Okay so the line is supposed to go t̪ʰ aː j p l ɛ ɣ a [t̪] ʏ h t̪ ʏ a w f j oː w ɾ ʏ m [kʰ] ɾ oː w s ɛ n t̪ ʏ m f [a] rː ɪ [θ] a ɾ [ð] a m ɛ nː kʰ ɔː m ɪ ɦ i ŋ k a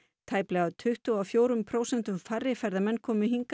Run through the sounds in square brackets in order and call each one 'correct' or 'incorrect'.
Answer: incorrect: t̪ʰ, incorrect: pʰ, correct, incorrect: f, correct

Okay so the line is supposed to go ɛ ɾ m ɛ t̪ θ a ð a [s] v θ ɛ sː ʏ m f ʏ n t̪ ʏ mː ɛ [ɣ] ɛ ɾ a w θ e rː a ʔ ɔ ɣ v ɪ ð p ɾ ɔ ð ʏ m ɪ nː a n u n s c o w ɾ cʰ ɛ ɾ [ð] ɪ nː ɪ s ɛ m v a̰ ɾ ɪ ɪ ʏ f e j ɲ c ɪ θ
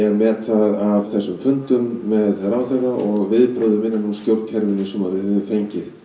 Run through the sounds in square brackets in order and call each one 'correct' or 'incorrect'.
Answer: incorrect: none, incorrect: ð, incorrect: v

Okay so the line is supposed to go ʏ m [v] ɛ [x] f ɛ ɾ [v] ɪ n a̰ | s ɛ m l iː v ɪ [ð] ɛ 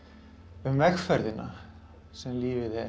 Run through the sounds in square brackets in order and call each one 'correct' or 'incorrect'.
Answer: correct, correct, incorrect: ð, correct

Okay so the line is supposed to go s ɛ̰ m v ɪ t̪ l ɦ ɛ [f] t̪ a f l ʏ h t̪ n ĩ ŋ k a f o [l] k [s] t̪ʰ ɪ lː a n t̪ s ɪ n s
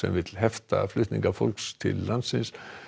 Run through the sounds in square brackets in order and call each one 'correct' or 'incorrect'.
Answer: correct, correct, correct

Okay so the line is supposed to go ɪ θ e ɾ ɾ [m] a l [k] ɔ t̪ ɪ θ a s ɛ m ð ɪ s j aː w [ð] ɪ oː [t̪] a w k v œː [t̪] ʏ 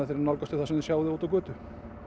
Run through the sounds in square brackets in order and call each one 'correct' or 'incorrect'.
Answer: incorrect: n, correct, correct, correct, correct

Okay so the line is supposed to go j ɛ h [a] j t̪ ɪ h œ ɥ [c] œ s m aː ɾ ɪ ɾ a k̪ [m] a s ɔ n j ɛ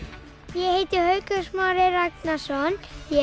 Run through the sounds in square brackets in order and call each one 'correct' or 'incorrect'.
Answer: incorrect: e, incorrect: k, incorrect: n

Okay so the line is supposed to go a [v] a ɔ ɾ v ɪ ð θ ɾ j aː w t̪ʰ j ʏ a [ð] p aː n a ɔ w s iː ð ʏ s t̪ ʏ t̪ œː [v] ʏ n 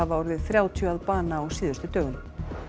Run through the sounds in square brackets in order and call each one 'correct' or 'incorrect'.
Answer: correct, correct, incorrect: ɣ

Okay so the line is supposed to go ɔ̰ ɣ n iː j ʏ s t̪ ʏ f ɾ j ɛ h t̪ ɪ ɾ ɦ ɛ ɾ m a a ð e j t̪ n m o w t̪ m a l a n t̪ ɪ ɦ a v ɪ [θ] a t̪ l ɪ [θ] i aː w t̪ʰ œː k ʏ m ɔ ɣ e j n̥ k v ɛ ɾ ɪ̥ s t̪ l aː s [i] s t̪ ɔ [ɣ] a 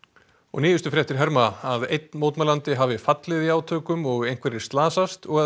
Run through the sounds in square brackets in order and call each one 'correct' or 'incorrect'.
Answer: incorrect: f, incorrect: ð, incorrect: a, correct

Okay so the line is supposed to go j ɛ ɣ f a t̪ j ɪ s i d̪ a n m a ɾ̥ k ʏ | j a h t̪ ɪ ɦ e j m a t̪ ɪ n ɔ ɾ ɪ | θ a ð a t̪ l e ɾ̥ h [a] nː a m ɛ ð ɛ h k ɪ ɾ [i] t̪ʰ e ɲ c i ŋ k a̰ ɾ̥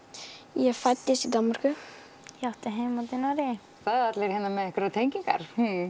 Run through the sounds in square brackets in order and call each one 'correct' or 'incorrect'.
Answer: incorrect: ɛ, incorrect: a

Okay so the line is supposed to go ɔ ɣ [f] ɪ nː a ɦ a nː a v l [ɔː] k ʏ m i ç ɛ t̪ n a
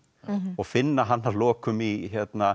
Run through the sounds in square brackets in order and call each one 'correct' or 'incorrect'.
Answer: correct, correct

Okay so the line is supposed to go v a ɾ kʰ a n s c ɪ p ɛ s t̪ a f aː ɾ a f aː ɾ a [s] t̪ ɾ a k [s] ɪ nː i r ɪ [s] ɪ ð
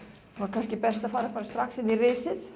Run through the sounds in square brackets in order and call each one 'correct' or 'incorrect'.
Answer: correct, correct, correct

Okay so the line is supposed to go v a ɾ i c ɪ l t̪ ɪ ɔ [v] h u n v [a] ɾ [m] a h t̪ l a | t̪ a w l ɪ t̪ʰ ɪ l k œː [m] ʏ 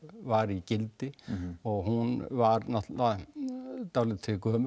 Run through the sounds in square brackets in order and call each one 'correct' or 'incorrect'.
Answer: incorrect: ɣ, correct, incorrect: n, correct

